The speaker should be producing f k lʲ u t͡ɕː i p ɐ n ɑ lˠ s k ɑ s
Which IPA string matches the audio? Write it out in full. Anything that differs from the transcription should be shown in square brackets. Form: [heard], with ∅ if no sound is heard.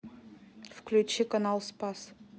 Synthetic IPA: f k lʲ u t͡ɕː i [k] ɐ n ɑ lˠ s [p] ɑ s